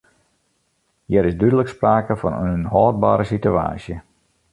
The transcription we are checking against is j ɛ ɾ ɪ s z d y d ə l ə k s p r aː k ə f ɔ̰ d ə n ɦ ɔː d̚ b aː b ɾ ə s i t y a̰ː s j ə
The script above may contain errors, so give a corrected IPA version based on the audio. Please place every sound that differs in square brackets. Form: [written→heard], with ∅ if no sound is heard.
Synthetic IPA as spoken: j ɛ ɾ ɪ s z d y d ə l ə k s p r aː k ə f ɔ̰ [d→n] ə n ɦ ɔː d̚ b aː [b→∅] ɾ ə s i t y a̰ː s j ə